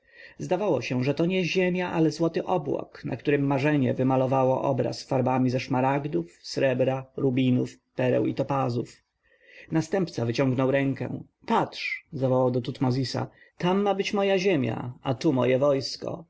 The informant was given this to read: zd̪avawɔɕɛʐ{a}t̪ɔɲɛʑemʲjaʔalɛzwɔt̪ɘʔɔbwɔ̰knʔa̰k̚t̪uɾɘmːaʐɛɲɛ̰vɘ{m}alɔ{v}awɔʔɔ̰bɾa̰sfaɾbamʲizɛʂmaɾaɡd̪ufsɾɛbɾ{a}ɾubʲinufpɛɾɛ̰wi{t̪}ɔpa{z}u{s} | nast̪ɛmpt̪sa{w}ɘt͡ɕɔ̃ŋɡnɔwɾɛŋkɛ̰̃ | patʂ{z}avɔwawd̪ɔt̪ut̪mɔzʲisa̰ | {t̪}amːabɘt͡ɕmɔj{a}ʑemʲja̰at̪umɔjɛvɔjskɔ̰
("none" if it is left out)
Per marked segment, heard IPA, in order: ɛ, m, v, a, t̪, z, f, v, z, t̪, a

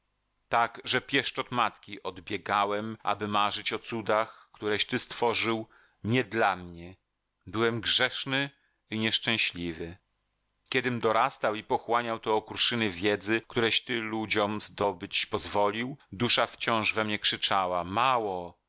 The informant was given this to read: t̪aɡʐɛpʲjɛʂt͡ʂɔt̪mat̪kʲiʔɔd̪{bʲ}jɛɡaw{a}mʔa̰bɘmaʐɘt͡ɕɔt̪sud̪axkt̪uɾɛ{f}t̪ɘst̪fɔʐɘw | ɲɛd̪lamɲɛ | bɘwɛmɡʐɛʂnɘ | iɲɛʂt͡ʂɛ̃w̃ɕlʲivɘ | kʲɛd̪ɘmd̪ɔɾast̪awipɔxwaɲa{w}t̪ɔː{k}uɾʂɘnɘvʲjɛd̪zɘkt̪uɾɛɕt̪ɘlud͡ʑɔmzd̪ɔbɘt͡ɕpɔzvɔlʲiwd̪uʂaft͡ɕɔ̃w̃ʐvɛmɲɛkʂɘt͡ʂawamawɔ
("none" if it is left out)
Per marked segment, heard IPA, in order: bʲ, ɛ, ɕ, w, k

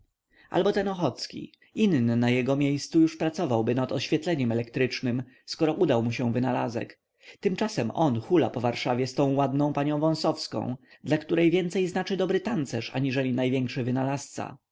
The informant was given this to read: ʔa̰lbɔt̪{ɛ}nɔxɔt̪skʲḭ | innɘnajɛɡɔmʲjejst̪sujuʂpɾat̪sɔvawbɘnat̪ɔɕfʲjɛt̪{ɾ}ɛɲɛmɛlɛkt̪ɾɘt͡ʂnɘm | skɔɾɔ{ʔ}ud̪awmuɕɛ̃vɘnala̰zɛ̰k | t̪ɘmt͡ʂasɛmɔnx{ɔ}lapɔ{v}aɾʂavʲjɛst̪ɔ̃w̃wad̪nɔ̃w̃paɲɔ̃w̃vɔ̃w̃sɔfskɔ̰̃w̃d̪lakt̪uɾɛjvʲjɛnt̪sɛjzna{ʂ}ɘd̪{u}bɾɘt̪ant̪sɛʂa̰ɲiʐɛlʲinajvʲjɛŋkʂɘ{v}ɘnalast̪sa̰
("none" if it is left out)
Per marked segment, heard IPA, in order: ɛ, l, ʔ, u, v, t͡ʂ, ɔ, v

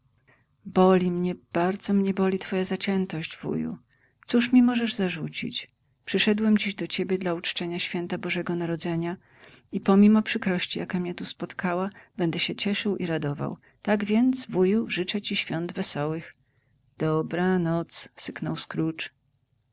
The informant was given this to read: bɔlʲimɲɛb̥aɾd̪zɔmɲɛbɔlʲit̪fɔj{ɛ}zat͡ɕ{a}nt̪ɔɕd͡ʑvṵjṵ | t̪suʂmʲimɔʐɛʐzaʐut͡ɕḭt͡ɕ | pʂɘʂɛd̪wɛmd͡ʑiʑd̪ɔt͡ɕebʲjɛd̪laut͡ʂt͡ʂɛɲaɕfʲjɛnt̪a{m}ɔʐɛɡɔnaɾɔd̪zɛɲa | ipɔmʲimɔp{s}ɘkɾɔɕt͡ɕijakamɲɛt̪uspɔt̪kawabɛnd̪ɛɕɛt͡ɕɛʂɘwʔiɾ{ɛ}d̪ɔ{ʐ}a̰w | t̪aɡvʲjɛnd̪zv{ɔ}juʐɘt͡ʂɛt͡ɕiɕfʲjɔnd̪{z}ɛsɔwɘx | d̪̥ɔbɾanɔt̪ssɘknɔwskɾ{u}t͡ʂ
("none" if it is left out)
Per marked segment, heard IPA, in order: a, ɛ, b, ʂ, a, v, u, v, u

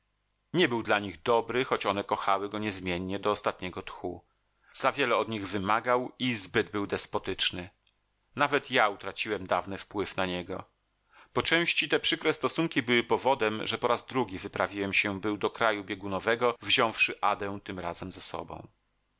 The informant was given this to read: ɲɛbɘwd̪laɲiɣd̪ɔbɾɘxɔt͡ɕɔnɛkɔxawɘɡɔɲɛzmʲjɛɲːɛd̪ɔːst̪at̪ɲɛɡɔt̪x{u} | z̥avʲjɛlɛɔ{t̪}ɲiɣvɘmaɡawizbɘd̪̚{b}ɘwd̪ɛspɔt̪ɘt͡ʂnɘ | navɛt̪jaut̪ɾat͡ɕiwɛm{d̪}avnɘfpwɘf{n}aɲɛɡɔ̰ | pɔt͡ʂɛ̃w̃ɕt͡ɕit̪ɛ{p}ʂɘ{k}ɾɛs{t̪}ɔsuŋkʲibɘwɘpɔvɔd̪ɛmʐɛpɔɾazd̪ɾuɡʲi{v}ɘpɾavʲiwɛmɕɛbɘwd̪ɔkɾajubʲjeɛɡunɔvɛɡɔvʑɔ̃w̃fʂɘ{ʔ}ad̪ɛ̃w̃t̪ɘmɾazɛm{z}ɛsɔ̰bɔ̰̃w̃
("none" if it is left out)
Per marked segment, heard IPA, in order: u, d̪, b, d̪, n, p, k, t̪, v, ʔ, z

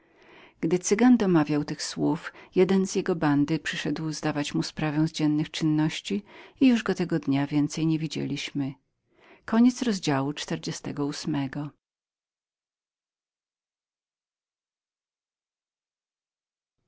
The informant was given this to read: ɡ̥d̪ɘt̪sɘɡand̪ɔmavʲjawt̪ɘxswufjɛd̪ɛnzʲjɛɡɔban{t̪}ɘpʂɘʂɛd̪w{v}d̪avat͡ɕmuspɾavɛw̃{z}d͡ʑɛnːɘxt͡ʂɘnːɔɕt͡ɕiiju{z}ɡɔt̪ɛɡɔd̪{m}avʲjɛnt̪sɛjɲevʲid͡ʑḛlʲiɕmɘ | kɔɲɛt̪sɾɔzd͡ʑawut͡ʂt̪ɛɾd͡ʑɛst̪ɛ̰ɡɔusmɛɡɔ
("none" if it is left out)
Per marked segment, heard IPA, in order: d̪, z, z, ʐ, ɲ

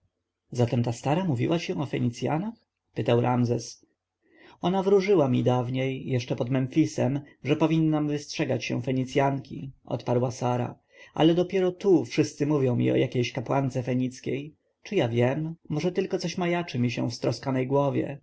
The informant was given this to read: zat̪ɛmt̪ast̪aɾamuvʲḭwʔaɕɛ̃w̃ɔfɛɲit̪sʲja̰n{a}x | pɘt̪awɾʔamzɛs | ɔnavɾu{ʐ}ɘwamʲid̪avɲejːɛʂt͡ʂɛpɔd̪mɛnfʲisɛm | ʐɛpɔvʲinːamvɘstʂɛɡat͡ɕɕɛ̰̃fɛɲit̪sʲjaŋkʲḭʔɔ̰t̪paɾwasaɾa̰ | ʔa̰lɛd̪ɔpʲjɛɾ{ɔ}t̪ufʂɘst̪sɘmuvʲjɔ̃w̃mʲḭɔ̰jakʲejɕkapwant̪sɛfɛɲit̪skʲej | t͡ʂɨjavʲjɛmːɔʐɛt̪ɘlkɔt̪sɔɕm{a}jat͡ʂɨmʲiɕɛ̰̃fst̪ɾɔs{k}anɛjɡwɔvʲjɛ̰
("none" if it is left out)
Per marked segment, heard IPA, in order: a, ʐ, ɔ, a, k

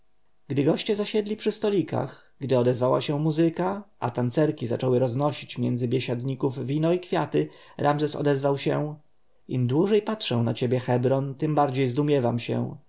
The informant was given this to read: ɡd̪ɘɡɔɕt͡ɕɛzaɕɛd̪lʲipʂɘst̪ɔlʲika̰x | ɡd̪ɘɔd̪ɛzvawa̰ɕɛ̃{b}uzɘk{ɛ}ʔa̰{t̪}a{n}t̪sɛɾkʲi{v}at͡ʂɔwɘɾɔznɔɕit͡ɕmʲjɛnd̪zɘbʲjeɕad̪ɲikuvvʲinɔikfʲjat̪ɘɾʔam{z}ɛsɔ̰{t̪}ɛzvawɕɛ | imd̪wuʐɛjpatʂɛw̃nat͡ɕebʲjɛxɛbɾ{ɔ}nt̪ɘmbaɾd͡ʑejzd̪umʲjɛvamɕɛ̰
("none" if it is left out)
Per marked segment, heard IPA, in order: m, a, t̪, n, z, z, d̪, ɔ

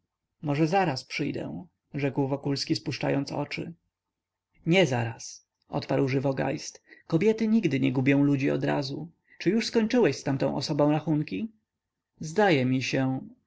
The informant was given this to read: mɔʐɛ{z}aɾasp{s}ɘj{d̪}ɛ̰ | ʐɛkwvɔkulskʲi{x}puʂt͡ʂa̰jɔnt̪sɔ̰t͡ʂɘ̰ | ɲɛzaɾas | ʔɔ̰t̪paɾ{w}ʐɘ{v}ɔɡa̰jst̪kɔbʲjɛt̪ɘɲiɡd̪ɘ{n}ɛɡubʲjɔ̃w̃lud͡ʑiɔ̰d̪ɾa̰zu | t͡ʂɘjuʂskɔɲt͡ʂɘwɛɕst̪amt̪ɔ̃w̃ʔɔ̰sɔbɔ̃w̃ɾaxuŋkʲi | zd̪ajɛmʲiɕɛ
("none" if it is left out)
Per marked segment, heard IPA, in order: z, ʂ, d̪, s, w, v, ɲ

